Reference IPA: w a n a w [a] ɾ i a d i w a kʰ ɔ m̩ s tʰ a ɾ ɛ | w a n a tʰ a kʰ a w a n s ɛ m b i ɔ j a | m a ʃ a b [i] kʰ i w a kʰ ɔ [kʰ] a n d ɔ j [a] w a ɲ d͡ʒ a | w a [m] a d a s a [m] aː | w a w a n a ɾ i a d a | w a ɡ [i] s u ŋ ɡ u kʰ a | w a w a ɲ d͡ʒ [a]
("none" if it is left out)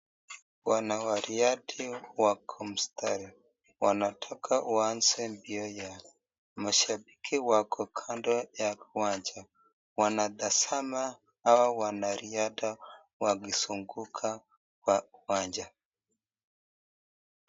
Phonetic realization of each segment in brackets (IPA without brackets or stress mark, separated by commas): a, i, kʰ, a, n, m, i, a